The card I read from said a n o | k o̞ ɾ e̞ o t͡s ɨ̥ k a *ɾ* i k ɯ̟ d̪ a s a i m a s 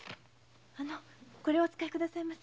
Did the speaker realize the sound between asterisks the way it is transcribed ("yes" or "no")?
no